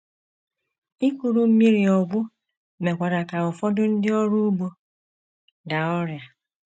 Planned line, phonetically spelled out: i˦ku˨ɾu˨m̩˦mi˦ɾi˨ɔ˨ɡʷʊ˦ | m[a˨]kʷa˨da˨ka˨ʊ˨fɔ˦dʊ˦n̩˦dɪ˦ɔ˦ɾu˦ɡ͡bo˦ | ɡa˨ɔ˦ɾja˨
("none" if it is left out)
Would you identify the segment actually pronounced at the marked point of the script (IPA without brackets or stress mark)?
e˨